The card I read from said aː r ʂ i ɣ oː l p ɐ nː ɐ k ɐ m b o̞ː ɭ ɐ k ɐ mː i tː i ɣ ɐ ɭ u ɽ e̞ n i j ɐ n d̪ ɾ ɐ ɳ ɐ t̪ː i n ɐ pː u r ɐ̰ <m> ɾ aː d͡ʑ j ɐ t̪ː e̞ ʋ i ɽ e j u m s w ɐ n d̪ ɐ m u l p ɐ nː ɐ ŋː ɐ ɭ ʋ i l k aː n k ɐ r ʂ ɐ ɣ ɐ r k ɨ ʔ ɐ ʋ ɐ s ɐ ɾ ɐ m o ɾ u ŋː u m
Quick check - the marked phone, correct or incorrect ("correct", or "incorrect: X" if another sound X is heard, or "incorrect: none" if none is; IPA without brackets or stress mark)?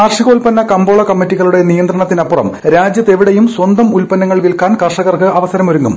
correct